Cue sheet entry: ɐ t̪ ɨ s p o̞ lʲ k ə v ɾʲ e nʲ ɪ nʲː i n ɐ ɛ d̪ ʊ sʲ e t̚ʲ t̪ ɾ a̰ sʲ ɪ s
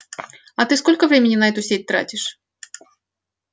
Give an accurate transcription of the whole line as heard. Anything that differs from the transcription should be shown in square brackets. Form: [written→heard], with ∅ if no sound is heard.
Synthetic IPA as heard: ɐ t̪ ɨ s [p→k] o̞ lʲ k ə v ɾʲ e [nʲ→mʲ] ɪ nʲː [i→ɪ] n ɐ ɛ [d̪→t̪] ʊ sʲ e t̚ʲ t̪ ɾ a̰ [sʲ→tʲ] ɪ [s→ʂ]